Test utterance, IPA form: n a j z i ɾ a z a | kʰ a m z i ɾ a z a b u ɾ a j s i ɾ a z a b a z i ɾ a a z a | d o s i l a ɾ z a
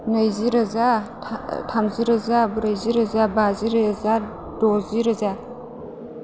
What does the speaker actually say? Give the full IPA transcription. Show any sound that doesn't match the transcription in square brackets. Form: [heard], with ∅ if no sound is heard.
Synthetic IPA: n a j z i ɾ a z a | [tʰ] a m z i ɾ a z a b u ɾ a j [z] i ɾ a z a b a z i ɾ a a z a | d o [z] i [ɾ] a [∅] z a